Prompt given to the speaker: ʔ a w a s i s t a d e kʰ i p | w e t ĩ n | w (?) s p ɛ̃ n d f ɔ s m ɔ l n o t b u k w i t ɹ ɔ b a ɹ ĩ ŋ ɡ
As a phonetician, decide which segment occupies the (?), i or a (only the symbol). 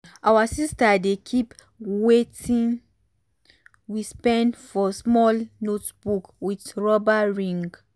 i